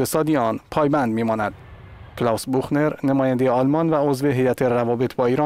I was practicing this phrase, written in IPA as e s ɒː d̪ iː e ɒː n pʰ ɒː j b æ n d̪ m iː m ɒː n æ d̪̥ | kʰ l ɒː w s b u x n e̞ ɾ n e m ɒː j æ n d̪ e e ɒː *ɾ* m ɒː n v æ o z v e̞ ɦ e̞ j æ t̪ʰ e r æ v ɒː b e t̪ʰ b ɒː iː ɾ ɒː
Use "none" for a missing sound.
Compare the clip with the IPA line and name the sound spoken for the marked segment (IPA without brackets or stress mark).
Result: l